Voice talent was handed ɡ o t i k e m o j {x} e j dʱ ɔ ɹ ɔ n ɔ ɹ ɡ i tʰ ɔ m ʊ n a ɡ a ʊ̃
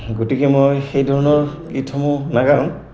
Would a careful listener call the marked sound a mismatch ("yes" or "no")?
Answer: no